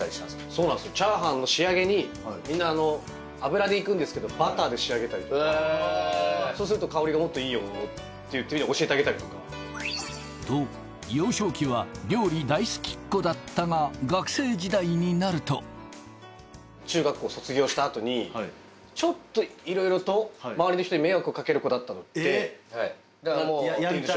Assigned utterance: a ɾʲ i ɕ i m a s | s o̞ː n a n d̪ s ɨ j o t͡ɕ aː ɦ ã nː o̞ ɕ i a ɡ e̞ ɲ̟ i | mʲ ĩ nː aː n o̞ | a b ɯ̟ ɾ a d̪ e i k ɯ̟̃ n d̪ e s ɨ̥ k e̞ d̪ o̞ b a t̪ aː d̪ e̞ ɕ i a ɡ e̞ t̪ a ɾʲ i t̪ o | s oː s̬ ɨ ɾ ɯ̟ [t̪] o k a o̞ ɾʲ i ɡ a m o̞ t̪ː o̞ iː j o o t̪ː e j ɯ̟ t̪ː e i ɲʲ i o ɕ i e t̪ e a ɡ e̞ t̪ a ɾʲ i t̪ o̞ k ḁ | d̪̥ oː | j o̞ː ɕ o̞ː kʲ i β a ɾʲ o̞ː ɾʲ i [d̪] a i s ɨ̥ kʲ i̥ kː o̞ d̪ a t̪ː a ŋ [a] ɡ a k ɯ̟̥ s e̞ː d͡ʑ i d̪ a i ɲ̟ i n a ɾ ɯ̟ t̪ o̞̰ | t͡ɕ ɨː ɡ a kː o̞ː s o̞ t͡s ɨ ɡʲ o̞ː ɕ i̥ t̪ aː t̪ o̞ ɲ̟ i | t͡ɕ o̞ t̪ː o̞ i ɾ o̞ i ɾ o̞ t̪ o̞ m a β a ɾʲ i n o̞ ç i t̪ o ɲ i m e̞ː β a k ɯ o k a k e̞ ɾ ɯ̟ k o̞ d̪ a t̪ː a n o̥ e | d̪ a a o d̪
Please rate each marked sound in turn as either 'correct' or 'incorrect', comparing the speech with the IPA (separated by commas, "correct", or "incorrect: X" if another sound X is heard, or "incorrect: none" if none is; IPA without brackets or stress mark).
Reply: correct, correct, correct